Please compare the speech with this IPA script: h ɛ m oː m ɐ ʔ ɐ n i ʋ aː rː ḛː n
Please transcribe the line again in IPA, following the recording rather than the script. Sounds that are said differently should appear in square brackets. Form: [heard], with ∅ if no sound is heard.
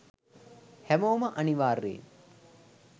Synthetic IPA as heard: h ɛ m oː m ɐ ʔ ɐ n i ʋ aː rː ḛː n